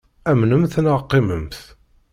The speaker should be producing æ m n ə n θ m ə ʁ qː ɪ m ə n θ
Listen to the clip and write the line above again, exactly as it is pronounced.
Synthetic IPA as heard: æ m n ə m θ n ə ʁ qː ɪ m ə m θ